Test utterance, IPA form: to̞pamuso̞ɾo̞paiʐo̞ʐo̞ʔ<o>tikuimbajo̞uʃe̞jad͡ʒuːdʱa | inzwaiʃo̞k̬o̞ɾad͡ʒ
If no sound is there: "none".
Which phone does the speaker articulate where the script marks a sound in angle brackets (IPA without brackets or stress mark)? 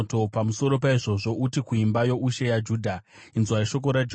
u